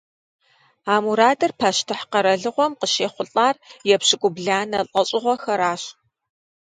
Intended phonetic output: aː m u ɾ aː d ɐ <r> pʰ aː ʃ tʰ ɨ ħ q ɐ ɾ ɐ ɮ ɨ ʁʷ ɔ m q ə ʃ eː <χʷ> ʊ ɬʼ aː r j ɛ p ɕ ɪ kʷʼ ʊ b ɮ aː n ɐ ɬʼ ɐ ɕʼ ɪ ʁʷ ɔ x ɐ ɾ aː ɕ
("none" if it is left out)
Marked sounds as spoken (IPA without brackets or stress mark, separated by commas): r, χʷ